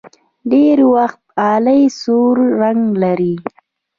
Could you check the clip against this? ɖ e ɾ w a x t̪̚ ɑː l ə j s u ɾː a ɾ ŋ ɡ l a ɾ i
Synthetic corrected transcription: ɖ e ɾ w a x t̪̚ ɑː l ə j s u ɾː a ŋ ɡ l a ɾ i

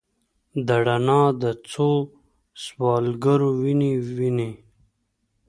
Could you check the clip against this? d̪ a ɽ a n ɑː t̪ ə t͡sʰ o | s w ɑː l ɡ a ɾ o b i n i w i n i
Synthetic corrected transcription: d̪ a ɽ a n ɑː d̪ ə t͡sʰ o | s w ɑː l ɡ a ɾ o w i n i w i n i

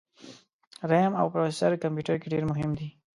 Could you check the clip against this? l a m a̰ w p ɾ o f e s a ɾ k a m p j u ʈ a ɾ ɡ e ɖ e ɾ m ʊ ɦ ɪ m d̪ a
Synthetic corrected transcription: ɾ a m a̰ w p ɾ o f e s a ɾ k a m p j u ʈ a ɾ k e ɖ e ɾ m ʊ ɦ ɪ m d̪ i

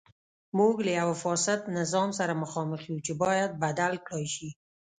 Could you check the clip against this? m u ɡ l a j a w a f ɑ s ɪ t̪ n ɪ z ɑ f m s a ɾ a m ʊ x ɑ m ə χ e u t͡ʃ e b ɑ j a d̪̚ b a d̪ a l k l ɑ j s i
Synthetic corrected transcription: m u ɡ l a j a w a f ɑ s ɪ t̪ n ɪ z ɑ m s a ɾ a m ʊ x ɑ m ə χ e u t͡ʃ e b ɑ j a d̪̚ b a d̪ a l k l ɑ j ʃ i

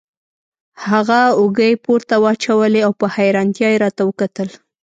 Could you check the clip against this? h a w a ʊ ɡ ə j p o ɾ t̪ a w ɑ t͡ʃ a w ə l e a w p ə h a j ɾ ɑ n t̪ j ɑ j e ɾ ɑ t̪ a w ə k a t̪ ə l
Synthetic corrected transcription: h a ɣ a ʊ ɡ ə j p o ɾ t̪ a w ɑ t͡ʃ a w ə l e a w p ə h a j ɾ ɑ n t̪ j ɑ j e ɾ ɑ t̪ a w ə k a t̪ ə l

